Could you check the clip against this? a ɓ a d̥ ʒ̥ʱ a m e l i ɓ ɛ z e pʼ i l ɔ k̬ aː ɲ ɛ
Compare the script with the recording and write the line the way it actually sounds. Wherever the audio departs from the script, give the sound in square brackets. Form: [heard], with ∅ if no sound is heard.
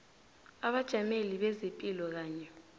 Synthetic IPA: a ɓ a d̥ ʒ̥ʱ a m e l i ɓ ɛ z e pʼ i l ɔ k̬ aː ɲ ɛ